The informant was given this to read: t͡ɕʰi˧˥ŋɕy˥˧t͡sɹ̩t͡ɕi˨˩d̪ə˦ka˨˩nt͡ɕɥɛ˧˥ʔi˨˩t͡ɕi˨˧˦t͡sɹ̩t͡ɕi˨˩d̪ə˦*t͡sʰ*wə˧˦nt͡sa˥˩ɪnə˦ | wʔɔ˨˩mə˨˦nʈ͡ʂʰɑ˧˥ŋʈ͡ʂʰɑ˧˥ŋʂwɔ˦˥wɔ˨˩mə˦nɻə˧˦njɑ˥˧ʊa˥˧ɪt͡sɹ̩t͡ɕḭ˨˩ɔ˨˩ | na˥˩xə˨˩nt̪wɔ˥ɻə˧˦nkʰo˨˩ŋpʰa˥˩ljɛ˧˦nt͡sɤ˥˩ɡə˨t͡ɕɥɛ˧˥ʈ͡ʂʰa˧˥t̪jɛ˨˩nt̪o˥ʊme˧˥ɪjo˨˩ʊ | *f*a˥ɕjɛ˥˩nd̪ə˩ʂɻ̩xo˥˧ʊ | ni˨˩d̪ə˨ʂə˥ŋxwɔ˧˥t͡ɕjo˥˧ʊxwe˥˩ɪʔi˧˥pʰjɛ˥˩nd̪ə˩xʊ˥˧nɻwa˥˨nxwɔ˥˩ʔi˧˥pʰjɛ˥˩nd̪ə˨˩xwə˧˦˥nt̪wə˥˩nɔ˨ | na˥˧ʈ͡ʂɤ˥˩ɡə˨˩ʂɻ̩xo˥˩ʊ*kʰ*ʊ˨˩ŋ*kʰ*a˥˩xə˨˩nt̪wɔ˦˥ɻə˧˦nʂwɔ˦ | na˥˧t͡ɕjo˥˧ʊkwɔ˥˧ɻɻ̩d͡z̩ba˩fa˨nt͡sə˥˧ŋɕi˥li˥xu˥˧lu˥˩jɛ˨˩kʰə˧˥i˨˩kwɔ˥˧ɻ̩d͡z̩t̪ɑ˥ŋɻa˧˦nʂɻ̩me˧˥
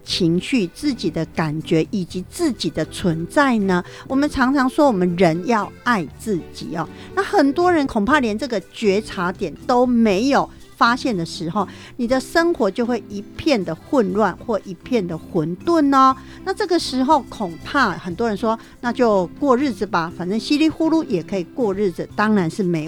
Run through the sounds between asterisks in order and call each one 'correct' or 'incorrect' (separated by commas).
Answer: correct, correct, correct, incorrect